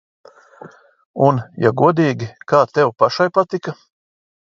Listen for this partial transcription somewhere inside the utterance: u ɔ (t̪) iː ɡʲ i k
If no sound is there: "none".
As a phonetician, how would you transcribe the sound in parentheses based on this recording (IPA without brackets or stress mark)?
d̪